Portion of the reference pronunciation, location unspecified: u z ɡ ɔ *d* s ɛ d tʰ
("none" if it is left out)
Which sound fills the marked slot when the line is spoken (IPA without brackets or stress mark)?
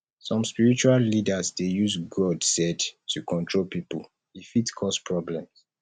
d